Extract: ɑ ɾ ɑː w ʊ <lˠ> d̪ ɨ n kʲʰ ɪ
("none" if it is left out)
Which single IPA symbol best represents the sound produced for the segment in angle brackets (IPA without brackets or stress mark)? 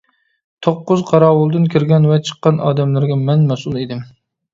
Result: lˠ